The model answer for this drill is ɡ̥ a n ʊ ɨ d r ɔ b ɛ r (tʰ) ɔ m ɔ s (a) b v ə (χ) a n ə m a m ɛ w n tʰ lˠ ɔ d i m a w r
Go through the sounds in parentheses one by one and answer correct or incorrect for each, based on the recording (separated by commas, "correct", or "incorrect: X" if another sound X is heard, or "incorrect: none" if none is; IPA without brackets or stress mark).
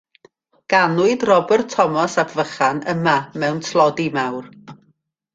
correct, correct, correct